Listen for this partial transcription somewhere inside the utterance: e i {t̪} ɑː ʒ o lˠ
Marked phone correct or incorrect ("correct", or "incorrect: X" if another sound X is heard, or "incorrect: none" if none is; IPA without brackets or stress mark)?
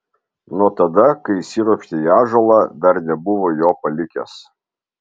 incorrect: none